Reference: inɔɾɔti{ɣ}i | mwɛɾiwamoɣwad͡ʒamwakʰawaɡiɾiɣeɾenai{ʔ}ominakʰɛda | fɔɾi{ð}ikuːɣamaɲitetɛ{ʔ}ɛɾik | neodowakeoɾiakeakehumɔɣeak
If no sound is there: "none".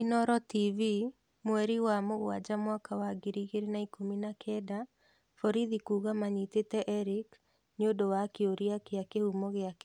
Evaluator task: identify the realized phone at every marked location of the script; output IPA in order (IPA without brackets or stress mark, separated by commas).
v, k, ð, ʔ